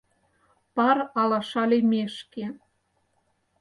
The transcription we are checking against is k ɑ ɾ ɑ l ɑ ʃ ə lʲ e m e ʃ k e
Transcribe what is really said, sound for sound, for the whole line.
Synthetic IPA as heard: p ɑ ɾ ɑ l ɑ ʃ ɑ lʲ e m e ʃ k e